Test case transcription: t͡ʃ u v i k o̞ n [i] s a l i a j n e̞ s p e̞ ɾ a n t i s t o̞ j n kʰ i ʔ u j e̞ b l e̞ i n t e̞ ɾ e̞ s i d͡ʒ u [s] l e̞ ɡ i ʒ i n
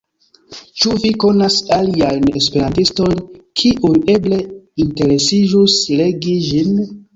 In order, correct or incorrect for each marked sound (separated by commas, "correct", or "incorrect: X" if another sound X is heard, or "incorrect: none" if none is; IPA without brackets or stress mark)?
incorrect: a, correct